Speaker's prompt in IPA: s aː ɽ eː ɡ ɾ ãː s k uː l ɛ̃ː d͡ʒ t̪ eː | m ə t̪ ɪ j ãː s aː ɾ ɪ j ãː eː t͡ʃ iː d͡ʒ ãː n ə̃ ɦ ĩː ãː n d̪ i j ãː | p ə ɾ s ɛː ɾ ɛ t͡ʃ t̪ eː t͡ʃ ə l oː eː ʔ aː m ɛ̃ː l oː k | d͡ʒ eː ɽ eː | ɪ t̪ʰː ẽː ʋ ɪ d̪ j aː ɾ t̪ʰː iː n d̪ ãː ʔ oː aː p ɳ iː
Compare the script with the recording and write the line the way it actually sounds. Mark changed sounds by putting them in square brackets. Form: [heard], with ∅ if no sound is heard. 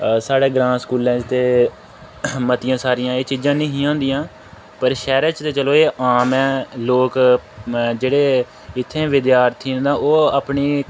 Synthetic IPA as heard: s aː ɽ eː ɡ ɾ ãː s k uː l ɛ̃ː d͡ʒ t̪ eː | m ə t̪ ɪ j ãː s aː ɾ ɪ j ãː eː t͡ʃ iː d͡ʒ ãː n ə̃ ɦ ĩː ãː n d̪ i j ãː | p ə ɾ [ʃ] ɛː ɾ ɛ t͡ʃ t̪ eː t͡ʃ ə l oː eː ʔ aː m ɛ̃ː l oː k | d͡ʒ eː ɽ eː | ɪ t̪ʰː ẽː ʋ ɪ d̪ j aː ɾ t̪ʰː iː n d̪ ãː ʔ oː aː p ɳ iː